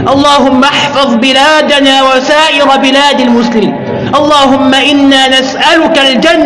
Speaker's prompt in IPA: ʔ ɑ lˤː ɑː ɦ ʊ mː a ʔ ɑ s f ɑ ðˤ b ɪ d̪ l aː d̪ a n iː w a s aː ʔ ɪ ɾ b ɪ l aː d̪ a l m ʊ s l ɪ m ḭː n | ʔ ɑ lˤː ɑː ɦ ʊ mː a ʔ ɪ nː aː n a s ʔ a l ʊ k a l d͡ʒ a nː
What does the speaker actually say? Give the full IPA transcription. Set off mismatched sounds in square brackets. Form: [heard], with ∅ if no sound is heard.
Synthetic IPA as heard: ʔ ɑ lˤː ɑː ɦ ʊ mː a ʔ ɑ [ħ] f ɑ ðˤ b ɪ [∅] l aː d̪ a n [aː] w a s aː ʔ ɪ ɾ b ɪ l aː d̪ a l m ʊ s l ɪ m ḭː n | ʔ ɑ lˤː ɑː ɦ ʊ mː a ʔ ɪ nː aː n a s ʔ a l ʊ k a l d͡ʒ a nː